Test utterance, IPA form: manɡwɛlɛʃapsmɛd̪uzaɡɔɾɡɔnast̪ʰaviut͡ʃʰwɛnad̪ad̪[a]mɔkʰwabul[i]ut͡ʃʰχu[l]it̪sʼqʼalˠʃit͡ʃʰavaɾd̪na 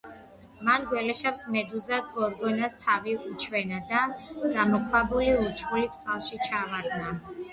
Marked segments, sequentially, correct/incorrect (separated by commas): correct, correct, correct